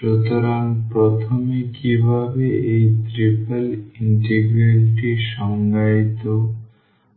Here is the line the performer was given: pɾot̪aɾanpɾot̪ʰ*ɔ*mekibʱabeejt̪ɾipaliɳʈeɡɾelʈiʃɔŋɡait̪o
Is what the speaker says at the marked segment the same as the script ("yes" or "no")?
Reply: no